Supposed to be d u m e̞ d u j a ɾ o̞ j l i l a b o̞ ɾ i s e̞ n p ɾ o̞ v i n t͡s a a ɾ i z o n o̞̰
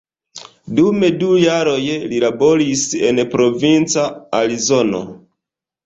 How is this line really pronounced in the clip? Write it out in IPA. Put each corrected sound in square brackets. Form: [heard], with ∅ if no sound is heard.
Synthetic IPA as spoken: d u m e̞ d u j a ɾ o̞ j l i l a b o̞ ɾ i s e̞ n p ɾ o̞ v i n t͡s a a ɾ i z o n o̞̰

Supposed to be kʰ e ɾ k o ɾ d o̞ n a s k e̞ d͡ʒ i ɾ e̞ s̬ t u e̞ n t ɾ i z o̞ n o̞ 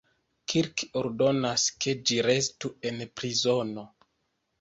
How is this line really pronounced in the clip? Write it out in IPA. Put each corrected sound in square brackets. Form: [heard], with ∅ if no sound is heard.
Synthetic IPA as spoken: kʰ [i] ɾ k o ɾ d o̞ n a s k e̞ d͡ʒ i ɾ e̞ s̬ t u e̞ n [p] ɾ i z o̞ n o̞

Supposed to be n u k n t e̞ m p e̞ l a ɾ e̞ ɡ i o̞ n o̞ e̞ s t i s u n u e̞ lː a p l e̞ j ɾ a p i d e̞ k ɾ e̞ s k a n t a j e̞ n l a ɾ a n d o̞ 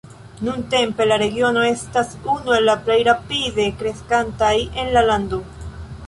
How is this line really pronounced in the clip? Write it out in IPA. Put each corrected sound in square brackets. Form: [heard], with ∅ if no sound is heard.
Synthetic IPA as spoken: n u [∅] n t e̞ m p e̞ l a ɾ e̞ ɡ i o̞ n o̞ e̞ s t [a] s u n u e̞ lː a p l e̞ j ɾ a p i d e̞ k ɾ e̞ s k a n t a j e̞ n l a [l] a n d o̞

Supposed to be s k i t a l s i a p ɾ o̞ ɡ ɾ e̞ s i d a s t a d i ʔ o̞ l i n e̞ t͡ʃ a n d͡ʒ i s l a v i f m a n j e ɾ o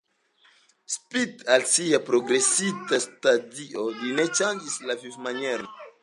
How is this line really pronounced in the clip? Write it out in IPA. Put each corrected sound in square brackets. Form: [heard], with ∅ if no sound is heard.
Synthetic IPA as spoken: s [p] i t a l s i a p ɾ o̞ ɡ ɾ e̞ s i [t] a s t a d i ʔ o̞ l i n e̞ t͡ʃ a n d͡ʒ i s l a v i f m a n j e ɾ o

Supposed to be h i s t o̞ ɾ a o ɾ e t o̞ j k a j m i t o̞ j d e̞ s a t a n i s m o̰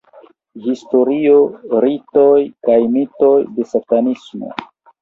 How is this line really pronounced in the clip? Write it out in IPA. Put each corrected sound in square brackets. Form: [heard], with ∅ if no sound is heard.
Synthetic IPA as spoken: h i s t o̞ ɾ [i] o ɾ [i] t o̞ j k a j m i t o̞ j d e̞ s a t a n i s m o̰

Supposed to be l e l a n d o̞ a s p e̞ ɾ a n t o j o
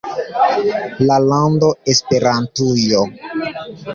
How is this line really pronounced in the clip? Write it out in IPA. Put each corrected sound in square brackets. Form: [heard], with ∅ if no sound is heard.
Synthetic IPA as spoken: l [a] l a n d o̞ [e] s p e̞ ɾ a n t [u] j o

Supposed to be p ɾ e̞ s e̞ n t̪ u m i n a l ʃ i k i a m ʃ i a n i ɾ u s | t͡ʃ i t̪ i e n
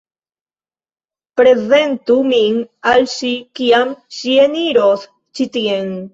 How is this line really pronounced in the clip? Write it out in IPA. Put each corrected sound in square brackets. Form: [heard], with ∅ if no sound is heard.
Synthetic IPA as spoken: p ɾ e̞ [z] e̞ n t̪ u m i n a l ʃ i k i a m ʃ i [e] n i ɾ [o] s | t͡ʃ i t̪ i e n

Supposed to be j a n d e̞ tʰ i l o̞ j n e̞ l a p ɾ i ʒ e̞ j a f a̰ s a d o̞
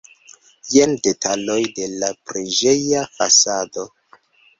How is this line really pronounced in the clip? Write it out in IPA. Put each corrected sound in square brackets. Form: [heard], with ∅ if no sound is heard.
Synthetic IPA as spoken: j [e] n d e̞ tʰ [a] l o̞ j [d] e̞ l a p ɾ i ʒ e̞ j a f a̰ s a d o̞

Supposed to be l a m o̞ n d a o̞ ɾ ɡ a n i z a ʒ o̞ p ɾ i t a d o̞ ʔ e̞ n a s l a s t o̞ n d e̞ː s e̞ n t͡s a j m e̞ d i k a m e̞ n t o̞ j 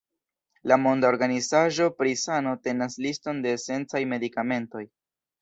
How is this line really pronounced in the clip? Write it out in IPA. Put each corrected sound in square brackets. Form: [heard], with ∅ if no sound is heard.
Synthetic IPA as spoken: l a m o̞ n d a o̞ ɾ ɡ a n i z a ʒ o̞ p ɾ i [s] a [n] o̞ [t] e̞ n a s l [i] s t o̞ n d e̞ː s e̞ n t͡s a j m e̞ d i k a m e̞ n t o̞ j

